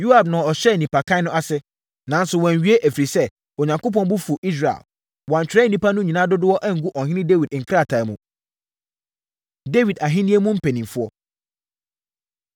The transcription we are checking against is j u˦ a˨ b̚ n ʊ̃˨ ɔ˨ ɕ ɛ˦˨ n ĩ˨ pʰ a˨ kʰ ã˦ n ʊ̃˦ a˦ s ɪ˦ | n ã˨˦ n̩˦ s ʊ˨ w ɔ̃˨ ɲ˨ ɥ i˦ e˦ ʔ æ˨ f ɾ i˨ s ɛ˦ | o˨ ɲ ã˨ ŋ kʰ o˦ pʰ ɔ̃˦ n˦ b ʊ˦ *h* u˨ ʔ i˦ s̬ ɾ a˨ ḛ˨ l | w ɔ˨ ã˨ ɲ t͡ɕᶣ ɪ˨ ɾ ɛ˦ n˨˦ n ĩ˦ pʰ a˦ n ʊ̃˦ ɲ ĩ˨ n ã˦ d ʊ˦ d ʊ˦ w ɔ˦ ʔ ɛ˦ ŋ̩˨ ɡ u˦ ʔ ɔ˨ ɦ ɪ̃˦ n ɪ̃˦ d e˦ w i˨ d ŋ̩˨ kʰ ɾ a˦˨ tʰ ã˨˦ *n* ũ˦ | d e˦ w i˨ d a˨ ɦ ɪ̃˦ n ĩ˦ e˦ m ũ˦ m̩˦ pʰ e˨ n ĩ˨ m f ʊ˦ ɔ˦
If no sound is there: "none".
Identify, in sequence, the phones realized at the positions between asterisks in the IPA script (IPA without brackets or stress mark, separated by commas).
f, m